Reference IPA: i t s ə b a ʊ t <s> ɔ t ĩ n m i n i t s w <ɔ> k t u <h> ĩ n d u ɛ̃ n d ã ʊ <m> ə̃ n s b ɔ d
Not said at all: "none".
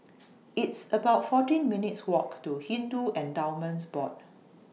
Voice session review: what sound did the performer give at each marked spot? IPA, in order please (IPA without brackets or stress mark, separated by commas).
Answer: f, ɔ, h, m